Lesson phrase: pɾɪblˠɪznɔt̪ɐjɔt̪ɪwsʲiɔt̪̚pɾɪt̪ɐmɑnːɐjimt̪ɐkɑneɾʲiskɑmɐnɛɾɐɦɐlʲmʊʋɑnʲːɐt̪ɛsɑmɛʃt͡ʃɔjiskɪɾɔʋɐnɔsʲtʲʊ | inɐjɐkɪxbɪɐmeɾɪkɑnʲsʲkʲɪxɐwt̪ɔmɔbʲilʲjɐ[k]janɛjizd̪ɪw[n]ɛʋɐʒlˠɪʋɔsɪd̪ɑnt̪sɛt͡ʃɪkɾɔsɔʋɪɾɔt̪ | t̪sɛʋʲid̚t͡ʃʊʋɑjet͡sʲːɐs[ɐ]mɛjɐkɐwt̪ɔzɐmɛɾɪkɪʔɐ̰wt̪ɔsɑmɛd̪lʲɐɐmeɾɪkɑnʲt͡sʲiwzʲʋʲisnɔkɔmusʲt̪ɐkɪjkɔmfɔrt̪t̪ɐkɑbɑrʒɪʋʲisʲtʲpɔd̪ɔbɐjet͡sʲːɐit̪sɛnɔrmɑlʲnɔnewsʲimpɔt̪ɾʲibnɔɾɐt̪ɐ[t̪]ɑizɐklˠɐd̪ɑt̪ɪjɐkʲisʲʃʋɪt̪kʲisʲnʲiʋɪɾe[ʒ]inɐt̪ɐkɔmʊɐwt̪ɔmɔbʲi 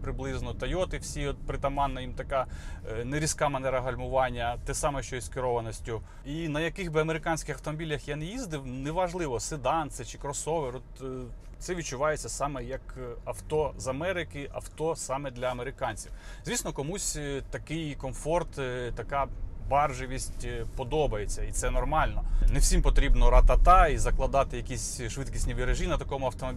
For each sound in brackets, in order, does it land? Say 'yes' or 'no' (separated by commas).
no, yes, no, yes, yes